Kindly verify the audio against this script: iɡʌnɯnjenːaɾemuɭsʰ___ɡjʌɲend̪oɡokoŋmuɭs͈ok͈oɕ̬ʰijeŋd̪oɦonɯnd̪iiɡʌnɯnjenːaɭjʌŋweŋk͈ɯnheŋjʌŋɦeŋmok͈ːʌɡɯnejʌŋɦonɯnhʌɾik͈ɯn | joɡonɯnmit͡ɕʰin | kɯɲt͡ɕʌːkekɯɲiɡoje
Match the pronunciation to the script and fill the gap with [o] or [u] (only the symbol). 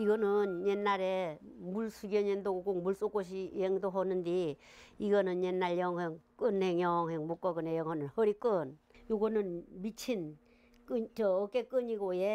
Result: u